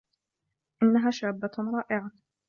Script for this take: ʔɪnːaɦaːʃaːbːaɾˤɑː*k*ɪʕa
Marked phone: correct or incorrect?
incorrect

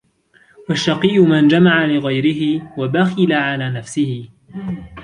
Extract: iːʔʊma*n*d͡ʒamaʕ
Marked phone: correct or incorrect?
correct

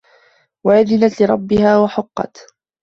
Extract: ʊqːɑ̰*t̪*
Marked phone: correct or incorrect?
correct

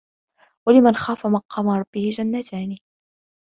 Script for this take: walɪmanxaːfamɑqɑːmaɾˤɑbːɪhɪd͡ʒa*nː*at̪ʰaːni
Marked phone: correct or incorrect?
correct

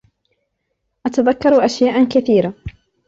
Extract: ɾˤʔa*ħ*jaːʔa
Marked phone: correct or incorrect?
incorrect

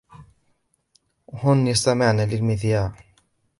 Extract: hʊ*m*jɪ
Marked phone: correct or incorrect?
incorrect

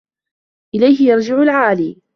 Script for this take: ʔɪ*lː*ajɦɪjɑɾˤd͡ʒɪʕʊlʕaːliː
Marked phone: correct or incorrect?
incorrect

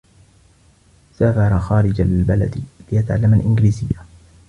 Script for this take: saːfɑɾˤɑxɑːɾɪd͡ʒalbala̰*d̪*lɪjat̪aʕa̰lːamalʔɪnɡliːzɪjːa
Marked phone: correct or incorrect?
correct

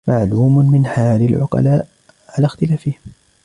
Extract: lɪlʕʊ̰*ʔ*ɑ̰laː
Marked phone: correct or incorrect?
incorrect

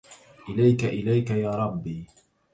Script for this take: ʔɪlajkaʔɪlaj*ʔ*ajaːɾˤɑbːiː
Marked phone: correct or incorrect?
incorrect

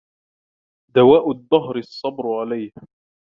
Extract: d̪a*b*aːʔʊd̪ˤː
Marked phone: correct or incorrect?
incorrect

